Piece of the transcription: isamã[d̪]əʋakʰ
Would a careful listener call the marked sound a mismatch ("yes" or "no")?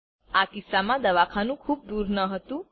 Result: no